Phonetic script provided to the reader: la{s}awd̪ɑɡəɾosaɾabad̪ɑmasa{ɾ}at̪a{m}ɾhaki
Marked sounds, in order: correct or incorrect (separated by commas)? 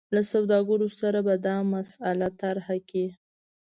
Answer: correct, incorrect, incorrect